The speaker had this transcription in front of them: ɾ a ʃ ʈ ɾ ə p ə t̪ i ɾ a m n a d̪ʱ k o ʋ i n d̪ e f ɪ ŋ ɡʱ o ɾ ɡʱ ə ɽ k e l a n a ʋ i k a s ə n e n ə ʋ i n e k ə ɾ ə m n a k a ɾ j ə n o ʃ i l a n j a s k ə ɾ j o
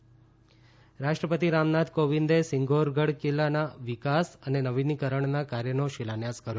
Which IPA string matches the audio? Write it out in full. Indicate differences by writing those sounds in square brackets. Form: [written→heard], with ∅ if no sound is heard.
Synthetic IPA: ɾ a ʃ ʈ ɾ ə p ə t̪ i ɾ a m n a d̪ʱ k o ʋ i n d̪ e [f→s] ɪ ŋ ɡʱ o ɾ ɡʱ ə ɽ k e l a n a ʋ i k a s ə n e n ə ʋ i n [e→i] k ə ɾ ə [m→ɳ] n a k a ɾ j ə n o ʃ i l a n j a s k ə ɾ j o